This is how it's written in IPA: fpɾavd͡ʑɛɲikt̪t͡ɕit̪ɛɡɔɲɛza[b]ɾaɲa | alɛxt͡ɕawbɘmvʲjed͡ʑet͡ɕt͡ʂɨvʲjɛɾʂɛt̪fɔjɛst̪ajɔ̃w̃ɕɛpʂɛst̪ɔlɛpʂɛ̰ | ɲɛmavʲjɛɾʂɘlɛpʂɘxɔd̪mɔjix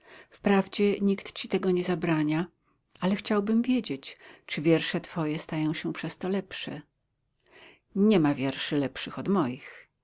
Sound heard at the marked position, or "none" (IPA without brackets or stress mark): b